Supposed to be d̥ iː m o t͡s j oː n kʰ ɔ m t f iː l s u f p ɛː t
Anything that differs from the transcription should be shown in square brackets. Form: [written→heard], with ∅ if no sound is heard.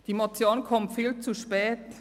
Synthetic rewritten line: d̥ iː m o t͡s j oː n kʰ ɔ m t f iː l [s→t͡s] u [f→ʃ] p ɛː t